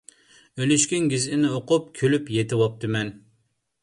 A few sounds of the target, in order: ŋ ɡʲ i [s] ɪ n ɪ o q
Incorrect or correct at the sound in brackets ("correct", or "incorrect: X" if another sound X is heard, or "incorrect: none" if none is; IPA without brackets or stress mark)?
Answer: incorrect: z